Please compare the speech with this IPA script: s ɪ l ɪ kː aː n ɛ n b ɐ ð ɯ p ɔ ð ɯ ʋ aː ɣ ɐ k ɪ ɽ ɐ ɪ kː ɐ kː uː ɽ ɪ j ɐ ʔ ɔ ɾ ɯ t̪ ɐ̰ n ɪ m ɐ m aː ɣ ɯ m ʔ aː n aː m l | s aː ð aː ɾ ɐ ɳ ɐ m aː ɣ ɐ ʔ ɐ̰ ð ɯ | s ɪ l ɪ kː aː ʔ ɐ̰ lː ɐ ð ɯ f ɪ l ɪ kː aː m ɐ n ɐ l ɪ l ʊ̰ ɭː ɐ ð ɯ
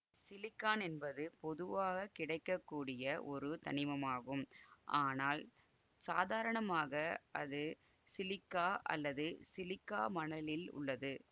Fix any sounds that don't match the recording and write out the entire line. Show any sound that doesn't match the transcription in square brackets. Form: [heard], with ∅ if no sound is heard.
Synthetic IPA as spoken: s ɪ l ɪ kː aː n ɛ n b ɐ ð ɯ p ɔ ð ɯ ʋ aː ɣ ɐ k ɪ ɽ ɐ ɪ kː ɐ kː uː ɽ ɪ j ɐ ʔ ɔ ɾ ɯ t̪ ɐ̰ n ɪ m ɐ m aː ɣ ɯ m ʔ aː n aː [∅] l | s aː ð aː ɾ ɐ ɳ ɐ m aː ɣ ɐ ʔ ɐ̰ ð ɯ | s ɪ l ɪ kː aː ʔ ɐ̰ lː ɐ ð ɯ [s] ɪ l ɪ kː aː m ɐ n ɐ l ɪ l ʊ̰ ɭː ɐ ð ɯ